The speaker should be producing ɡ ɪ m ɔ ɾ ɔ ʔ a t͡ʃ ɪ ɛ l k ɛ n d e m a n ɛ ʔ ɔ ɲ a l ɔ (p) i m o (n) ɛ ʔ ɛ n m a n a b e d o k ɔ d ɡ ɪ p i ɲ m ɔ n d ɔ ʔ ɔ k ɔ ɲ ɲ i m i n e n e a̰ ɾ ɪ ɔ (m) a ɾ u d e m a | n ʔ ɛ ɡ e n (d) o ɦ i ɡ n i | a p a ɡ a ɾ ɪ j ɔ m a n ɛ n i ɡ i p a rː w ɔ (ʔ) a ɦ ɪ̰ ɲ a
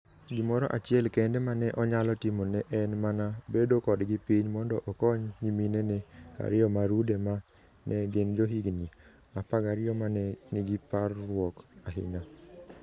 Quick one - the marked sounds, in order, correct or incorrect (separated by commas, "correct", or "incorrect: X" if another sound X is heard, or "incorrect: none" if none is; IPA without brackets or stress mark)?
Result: incorrect: t, correct, correct, incorrect: d͡ʒ, incorrect: k